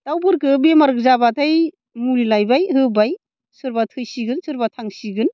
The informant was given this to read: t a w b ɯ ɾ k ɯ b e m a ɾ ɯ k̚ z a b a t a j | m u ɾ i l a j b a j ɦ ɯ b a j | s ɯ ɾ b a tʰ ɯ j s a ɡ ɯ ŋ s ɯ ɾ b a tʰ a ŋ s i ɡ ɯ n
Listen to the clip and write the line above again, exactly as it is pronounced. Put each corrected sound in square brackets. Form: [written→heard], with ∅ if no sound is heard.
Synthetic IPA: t a w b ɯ ɾ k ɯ b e m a ɾ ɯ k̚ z a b a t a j | m u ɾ i l a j b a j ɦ ɯ b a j | s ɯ ɾ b a tʰ ɯ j s [a→i] ɡ ɯ [ŋ→n] s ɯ ɾ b a tʰ a ŋ s i ɡ ɯ n